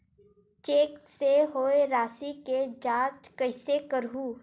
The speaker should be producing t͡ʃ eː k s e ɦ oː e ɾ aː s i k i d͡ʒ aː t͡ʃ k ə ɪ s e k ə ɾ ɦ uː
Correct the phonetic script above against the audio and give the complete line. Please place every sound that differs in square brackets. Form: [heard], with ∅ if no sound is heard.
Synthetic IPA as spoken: t͡ʃ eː k s e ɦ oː e ɾ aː s i k [e] d͡ʒ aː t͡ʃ k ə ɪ s e k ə ɾ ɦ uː